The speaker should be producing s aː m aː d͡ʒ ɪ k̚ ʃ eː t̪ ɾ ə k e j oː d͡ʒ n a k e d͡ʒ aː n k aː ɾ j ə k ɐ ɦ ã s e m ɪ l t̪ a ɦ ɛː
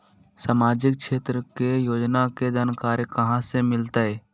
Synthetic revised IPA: s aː m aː d͡ʒ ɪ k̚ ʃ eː t̪ ɾ ə k e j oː d͡ʒ n a k e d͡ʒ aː n k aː ɾ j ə k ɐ ɦ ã s e m ɪ l t̪ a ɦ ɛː